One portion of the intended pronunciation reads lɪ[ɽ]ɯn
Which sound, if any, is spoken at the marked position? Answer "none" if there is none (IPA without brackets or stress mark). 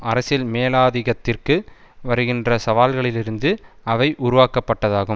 ɾ